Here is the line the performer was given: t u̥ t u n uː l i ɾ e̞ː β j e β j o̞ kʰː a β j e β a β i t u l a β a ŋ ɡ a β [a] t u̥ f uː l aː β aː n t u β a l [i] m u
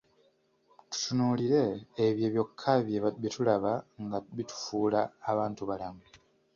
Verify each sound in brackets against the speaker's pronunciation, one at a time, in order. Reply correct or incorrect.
incorrect: i, incorrect: a

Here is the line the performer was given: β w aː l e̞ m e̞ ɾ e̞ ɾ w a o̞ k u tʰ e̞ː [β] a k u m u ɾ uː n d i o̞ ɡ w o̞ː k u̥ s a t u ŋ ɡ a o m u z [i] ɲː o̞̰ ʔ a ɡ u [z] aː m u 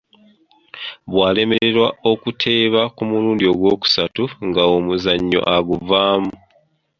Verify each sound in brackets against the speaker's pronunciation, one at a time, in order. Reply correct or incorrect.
correct, incorrect: a, incorrect: v

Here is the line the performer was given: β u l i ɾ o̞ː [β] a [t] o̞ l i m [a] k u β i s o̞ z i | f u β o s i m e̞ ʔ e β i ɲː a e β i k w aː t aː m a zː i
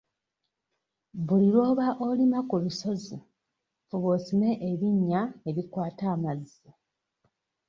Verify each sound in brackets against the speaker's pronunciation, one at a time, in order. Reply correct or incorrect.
correct, incorrect: ʔ, correct

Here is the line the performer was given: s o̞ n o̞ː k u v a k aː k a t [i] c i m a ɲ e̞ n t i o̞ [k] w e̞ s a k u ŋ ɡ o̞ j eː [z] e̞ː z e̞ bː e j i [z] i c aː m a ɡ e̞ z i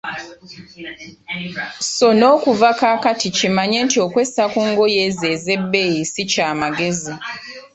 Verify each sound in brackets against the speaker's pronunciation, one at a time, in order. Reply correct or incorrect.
correct, correct, correct, incorrect: s

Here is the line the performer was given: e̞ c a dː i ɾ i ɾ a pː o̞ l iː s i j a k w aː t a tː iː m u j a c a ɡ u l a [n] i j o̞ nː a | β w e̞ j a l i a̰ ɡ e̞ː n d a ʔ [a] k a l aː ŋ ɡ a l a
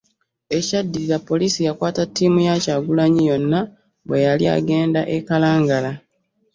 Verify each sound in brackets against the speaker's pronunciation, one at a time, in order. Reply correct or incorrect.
incorrect: ɲ, incorrect: e

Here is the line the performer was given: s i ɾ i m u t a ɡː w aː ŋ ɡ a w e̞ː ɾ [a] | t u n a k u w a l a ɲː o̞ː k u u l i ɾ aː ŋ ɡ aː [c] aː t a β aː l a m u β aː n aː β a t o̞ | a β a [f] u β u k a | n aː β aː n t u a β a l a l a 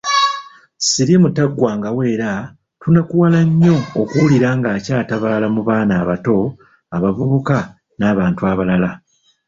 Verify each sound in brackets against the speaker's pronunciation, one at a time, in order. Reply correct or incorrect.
correct, correct, incorrect: v

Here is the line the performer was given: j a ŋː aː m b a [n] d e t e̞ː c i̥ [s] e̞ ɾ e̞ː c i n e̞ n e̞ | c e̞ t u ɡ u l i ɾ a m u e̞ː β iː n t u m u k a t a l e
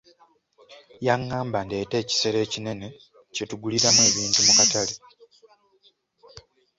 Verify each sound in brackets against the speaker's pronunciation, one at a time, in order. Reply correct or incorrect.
correct, correct

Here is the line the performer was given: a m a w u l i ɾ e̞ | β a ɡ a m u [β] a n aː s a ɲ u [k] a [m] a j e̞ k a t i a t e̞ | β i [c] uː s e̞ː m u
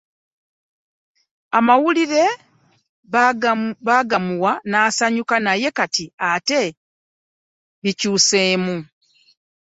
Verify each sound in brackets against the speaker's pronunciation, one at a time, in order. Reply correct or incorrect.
incorrect: w, correct, incorrect: n, correct

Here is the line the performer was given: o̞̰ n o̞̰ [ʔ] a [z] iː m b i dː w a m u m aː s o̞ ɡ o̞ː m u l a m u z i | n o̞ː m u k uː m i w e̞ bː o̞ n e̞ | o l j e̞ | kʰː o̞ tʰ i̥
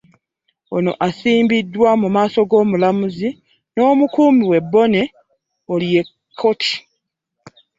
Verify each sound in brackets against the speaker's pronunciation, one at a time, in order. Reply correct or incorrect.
correct, incorrect: s

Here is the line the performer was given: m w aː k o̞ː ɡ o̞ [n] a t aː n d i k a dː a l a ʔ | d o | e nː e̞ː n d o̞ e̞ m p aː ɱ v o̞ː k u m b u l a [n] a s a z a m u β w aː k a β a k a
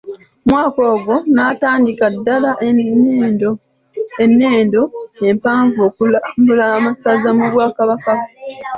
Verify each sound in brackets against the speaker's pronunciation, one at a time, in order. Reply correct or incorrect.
correct, incorrect: m

